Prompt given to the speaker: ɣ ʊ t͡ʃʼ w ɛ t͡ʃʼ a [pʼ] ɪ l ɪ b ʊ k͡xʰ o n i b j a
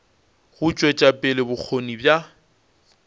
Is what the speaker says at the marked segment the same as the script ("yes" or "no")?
yes